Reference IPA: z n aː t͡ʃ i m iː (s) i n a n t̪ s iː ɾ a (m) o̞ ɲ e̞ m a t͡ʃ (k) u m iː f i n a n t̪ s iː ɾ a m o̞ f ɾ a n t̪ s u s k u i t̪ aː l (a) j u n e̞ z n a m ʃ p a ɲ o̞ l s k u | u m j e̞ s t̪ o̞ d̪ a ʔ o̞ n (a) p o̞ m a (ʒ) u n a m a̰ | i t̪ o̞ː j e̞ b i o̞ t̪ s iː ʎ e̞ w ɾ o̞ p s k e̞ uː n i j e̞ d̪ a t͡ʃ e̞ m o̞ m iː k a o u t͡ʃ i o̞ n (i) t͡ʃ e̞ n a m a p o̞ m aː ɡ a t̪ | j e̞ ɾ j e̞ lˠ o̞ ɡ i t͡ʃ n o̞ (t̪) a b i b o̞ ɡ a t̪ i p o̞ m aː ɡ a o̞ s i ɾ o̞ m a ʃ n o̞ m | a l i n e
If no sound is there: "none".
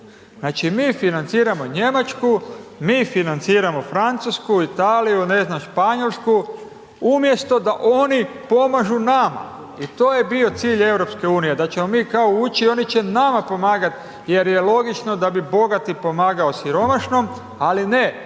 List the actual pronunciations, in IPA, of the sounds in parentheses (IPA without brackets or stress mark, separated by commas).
f, m, k, i, i, ʒ, i, d̪